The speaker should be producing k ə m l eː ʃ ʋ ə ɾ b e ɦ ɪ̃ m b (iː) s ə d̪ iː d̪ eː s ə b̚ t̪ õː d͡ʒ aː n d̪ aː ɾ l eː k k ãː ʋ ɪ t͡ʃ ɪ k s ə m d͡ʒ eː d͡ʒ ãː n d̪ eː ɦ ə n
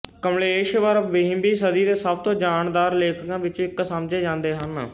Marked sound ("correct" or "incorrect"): correct